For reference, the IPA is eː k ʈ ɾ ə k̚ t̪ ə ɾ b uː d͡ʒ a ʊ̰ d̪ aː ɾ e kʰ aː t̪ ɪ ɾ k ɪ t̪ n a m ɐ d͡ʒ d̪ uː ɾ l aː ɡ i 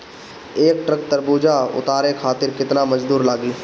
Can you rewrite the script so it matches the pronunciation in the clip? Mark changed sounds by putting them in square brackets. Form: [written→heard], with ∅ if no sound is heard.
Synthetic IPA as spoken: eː k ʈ ɾ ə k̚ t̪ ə ɾ b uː d͡ʒ a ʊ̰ [d̪→t̪] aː ɾ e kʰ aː t̪ ɪ ɾ k ɪ t̪ n a m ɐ d͡ʒ d̪ uː ɾ l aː ɡ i